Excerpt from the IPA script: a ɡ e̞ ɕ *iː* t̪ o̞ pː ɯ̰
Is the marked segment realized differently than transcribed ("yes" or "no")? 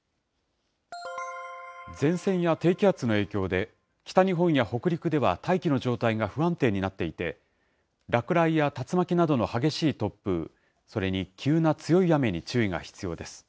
no